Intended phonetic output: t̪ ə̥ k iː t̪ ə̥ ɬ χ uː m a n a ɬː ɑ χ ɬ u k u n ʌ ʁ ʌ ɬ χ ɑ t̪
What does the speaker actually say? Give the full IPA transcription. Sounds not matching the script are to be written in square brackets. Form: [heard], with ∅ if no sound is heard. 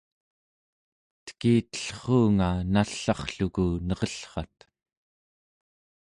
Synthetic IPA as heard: t̪ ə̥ k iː t̪ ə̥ ɬ χ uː [ŋ] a n a ɬː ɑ χ ɬ u k u n ʌ ʁ ʌ ɬ χ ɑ t̪